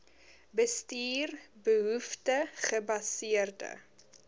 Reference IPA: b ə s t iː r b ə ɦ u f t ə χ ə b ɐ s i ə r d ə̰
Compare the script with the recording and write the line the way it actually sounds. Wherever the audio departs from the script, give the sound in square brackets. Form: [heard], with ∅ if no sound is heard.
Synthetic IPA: b ə s t iː r b ə ɦ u f t ə χ ə b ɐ s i ə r d ə̰